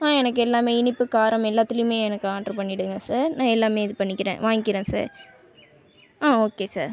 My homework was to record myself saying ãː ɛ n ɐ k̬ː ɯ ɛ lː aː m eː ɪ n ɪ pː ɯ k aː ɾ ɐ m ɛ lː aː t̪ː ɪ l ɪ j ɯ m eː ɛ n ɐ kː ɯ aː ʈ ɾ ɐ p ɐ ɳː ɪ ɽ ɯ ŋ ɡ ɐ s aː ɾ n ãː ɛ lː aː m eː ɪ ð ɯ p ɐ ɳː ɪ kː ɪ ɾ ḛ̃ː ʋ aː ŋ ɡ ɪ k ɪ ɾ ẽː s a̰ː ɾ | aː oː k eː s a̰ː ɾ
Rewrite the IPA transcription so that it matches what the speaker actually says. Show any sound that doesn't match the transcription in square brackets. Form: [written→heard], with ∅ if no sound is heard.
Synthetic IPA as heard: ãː ɛ n ɐ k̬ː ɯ ɛ lː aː m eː ɪ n ɪ pː ɯ k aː ɾ ɐ m ɛ lː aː t̪ː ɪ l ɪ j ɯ m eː ɛ n ɐ kː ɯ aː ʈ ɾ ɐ p ɐ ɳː ɪ ɽ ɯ ŋ ɡ ɐ s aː ɾ n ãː ɛ lː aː m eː ɪ ð ɯ p ɐ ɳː ɪ kː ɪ ɾ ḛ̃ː ʋ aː ŋ ɡ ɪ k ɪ ɾ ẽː s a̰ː ɾ | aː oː k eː s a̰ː ɾ